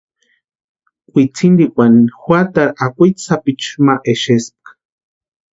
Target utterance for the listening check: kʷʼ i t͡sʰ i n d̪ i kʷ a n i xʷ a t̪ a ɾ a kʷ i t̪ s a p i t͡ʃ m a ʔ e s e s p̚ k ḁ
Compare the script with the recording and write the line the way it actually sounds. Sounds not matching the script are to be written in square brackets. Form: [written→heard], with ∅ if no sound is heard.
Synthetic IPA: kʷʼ i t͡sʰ i n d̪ i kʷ a n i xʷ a t̪ a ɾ a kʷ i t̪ s a p i t͡ʃ m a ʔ e [s→ʃ] e s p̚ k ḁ